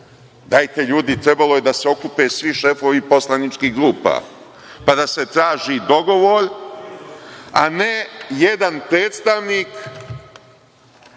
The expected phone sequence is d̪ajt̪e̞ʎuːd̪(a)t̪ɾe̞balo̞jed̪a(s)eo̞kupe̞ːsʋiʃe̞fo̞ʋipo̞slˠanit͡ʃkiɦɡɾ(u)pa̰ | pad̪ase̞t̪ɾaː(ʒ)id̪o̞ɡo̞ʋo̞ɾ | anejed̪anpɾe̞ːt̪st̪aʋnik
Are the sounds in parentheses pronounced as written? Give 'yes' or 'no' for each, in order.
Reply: no, yes, no, yes

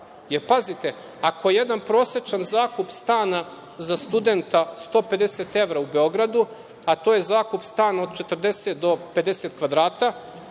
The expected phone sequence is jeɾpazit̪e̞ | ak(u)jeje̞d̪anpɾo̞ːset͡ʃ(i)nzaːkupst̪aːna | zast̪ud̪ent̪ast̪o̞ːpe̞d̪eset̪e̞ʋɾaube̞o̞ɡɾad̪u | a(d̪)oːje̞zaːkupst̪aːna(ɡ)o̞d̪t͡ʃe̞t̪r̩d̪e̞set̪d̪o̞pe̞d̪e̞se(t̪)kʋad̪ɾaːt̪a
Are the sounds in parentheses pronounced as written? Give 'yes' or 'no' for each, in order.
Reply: no, no, no, no, yes

